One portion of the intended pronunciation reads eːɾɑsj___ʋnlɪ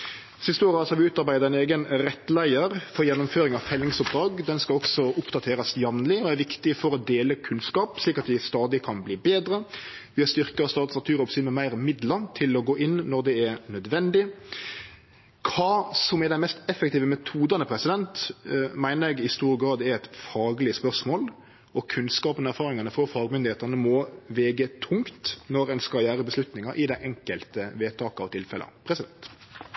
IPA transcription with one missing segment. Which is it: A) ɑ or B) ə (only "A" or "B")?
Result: A